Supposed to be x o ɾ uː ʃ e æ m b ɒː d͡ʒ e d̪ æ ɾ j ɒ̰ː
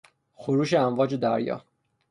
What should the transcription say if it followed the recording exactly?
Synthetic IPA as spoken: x o ɾ uː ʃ e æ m v ɒː d͡ʒ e d̪ æ ɾ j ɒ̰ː